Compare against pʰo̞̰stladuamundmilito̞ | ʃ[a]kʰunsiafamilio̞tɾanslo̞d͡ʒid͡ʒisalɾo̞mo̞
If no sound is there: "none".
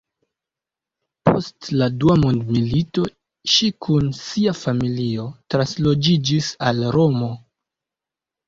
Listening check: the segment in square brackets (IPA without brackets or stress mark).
i